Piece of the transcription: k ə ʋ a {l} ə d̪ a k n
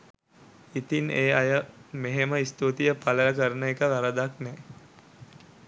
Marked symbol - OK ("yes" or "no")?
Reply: no